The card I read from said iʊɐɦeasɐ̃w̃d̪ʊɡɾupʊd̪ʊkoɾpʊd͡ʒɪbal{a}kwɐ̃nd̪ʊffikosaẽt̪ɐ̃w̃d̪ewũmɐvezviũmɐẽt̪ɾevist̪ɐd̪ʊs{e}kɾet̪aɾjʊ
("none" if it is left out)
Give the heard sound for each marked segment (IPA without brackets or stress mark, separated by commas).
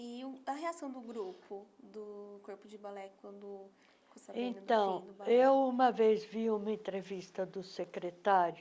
ɛ, e